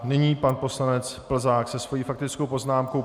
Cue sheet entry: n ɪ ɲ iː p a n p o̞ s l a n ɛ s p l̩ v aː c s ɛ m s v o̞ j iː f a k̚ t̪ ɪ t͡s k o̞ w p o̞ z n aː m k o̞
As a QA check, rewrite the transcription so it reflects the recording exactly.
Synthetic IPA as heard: n ɪ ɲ iː p a n p o̞ s l a n ɛ t͡s p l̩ z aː k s ɛ s v o̞ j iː f a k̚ t̪ ɪ t͡s k o̞ w p o̞ z n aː m k o̞